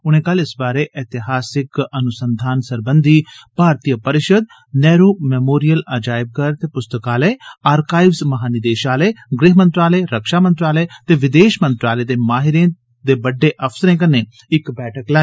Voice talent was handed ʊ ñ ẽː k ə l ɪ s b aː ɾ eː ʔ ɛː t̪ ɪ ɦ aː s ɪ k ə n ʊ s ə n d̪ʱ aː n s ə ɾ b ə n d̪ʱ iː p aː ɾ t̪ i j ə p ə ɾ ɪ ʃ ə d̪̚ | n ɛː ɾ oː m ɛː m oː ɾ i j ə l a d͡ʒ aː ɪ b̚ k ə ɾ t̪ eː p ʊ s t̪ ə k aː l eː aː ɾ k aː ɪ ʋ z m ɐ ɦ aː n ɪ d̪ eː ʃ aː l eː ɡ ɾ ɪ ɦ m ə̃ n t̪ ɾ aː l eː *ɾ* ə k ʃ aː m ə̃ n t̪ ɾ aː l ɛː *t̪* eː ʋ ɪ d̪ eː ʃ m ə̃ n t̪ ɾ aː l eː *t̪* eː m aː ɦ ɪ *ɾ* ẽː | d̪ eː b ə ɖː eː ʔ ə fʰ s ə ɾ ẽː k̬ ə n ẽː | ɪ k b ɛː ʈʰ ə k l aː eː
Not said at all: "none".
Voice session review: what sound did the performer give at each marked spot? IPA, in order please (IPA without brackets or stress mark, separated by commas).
ɾ, t̪, d̪, ɾ